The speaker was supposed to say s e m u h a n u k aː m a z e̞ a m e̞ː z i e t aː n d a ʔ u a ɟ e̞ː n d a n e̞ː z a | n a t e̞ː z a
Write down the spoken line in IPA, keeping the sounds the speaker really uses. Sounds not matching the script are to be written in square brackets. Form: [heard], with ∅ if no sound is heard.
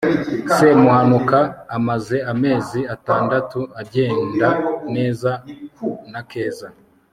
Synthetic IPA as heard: s e m u h a n u k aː m a z e̞ a m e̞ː z i [a] t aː n d a [t] u a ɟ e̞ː n d a n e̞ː z a | n a [k] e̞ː z a